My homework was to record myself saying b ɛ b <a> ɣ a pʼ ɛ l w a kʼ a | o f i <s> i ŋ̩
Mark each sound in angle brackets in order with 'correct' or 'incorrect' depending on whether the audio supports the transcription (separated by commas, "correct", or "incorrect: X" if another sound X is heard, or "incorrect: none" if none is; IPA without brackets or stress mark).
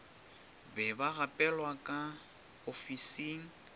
correct, correct